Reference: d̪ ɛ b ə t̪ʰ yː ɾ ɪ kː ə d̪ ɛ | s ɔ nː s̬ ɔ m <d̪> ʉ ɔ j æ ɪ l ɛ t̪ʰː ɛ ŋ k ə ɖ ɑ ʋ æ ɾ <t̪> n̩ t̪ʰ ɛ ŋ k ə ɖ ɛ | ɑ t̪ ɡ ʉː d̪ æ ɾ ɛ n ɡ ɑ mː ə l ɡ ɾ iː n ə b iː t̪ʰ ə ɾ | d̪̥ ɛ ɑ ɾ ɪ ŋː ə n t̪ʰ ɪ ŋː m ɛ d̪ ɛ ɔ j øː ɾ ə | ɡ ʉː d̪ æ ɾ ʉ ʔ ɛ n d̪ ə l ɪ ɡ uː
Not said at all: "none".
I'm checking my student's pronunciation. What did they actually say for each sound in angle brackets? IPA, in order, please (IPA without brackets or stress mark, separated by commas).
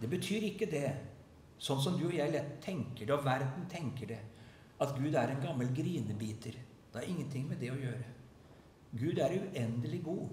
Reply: d̪, d̪